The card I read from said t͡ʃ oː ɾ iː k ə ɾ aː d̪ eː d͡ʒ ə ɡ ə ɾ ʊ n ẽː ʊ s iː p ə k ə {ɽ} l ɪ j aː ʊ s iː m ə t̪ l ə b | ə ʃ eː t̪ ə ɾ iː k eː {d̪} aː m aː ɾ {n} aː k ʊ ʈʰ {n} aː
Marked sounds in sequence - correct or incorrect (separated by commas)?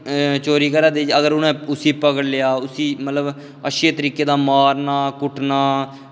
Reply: correct, correct, correct, correct